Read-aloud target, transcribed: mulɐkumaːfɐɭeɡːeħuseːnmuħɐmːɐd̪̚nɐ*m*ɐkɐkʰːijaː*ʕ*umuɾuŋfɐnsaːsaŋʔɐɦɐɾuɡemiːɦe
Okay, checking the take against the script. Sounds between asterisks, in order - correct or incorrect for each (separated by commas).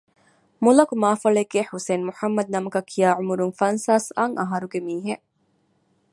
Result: correct, correct